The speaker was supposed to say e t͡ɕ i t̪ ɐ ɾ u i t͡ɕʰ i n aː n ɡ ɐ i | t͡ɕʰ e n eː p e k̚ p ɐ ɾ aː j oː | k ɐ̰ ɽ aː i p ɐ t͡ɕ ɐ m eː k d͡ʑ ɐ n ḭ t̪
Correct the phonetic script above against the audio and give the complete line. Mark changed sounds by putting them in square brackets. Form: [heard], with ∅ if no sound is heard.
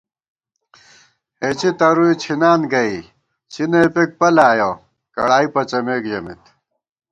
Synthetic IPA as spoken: e t͡ɕ i t̪ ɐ ɾ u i t͡ɕʰ i n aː n ɡ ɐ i | t͡ɕʰ [i] n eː p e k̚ p ɐ [l] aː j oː | k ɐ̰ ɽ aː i p ɐ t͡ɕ ɐ m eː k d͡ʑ ɐ [m] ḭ t̪